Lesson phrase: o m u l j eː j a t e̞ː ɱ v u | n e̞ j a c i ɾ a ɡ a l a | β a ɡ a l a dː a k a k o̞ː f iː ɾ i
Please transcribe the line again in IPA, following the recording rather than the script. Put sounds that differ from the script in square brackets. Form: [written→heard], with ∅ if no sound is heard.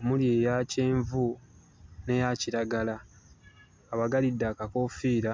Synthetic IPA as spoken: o m u l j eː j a [t→c] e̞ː ɱ v u | n e̞ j a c i ɾ a ɡ a l a | β a ɡ a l [a→i] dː a k a k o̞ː f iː ɾ [i→a]